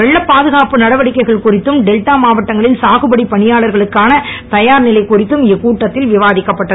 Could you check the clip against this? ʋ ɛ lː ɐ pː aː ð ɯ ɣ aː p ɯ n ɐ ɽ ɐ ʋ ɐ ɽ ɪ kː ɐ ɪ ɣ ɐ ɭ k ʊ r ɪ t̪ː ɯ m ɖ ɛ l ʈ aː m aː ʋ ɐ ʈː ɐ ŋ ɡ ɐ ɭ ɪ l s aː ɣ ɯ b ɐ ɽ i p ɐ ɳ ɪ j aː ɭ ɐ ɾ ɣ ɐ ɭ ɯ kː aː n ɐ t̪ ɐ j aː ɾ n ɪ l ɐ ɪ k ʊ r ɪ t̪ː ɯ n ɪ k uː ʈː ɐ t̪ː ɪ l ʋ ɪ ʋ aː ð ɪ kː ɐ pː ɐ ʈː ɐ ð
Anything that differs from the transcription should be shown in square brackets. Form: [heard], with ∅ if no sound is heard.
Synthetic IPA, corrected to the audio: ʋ ɛ [ɭː] ɐ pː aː ð ɯ ɣ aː p ɯ n ɐ ɽ ɐ ʋ ɐ ɽ ɪ kː ɐ ɪ ɣ ɐ ɭ k ʊ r ɪ t̪ː ɯ m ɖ ɛ l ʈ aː m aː ʋ ɐ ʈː ɐ ŋ ɡ ɐ ɭ ɪ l s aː ɣ ɯ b ɐ ɽ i p ɐ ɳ ɪ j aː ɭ ɐ ɾ ɣ ɐ ɭ ɯ kː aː n ɐ t̪ ɐ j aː ɾ n ɪ l ɐ ɪ k ʊ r ɪ t̪ː ɯ [m] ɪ k uː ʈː ɐ t̪ː ɪ l ʋ ɪ ʋ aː ð ɪ kː ɐ pː ɐ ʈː ɐ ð